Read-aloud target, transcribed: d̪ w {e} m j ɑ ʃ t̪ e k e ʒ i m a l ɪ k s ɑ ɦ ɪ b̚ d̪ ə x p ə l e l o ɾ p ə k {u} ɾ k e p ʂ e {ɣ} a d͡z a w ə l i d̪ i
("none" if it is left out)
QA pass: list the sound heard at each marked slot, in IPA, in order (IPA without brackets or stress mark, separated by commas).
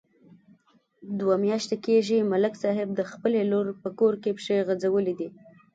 a, o, ɣ